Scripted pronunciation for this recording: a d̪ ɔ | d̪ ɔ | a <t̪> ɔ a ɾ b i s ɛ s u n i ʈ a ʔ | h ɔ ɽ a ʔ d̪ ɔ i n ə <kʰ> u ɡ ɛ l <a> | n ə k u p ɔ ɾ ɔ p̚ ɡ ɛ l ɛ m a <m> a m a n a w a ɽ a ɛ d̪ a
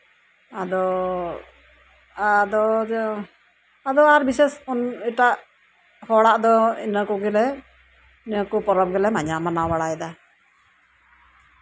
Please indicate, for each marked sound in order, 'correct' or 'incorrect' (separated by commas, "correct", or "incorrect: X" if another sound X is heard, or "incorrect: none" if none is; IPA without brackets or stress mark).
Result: incorrect: d̪, incorrect: k, incorrect: ɛ, incorrect: ɲ